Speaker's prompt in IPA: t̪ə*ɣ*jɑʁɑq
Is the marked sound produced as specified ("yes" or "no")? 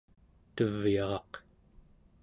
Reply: no